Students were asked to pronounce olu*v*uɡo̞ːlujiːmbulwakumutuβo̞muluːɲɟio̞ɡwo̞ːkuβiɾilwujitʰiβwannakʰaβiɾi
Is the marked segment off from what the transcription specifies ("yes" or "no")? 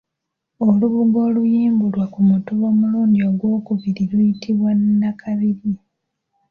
yes